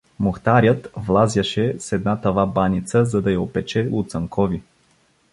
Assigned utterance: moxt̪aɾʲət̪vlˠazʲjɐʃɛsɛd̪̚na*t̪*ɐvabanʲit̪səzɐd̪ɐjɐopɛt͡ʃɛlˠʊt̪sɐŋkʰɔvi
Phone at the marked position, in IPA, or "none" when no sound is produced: t̪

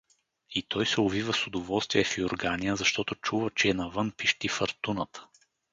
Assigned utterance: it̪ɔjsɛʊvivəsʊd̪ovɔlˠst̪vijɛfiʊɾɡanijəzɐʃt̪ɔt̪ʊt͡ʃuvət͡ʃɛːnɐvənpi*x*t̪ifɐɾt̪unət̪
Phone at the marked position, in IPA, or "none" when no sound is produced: ʃ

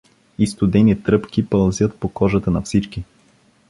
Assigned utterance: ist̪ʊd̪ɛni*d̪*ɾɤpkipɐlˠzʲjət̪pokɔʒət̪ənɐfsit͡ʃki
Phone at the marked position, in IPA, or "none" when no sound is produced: t̪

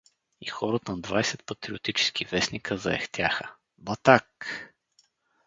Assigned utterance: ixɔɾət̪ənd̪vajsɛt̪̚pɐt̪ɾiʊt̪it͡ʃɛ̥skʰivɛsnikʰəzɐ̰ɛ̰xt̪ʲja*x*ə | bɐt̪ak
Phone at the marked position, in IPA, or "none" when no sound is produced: x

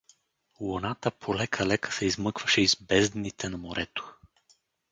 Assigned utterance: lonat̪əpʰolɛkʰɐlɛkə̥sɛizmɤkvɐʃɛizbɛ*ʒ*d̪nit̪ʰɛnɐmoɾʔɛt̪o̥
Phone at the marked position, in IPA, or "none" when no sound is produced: z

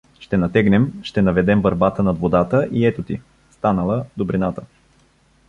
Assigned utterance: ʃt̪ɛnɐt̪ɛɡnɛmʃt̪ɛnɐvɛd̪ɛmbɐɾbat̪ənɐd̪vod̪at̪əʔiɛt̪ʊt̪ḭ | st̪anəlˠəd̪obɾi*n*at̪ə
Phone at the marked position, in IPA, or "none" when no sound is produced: n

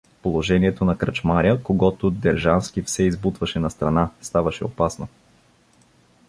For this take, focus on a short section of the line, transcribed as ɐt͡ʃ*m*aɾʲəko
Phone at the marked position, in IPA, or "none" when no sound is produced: m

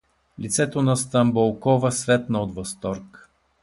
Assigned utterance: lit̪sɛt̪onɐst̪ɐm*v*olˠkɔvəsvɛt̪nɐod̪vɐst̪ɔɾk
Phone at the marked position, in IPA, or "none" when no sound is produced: b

